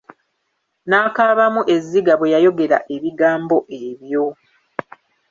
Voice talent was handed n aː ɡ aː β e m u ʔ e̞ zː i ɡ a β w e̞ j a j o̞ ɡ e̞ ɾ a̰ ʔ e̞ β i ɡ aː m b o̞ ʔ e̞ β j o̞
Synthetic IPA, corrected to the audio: n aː k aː β a m u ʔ e̞ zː i ɡ a β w e̞ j a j o̞ ɡ e̞ ɾ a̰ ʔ e̞ β i ɡ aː m b o̞ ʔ e̞ β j o̞